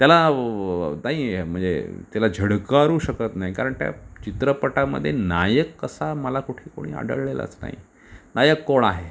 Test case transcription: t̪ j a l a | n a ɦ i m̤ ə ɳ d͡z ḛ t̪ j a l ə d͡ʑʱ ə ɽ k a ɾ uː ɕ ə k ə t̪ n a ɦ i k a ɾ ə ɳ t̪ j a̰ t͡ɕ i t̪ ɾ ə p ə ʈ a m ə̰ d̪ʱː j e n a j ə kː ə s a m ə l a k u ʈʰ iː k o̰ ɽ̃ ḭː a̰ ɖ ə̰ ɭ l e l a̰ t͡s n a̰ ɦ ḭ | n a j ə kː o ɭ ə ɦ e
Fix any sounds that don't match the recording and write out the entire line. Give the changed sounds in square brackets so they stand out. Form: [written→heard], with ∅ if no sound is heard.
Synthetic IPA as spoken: t̪ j a l a | n a ɦ i m̤ ə ɳ d͡z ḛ t̪ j a l [ə→a] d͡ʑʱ ə ɽ k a ɾ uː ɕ ə k ə t̪ n a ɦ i k a ɾ ə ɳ t̪ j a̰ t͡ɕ i t̪ ɾ ə p ə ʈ a m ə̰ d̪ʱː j e n a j ə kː ə s a m ə l a k u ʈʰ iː k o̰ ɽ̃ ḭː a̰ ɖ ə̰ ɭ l e l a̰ t͡s n a̰ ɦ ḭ | n a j ə kː o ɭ [ə→a] ɦ e